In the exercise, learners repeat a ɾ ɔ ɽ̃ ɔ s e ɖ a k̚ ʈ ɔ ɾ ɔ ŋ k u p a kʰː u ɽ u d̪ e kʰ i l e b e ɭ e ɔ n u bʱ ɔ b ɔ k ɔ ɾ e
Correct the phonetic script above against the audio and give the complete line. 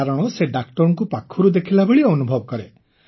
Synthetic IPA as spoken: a ɾ ɔ ɽ̃ ɔ s e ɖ a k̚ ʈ ɔ ɾ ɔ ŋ k u p a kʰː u ɾ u d̪ e kʰ i l a b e ɭ i ɔ n u bʱ ɔ b ɔ k ɔ ɾ e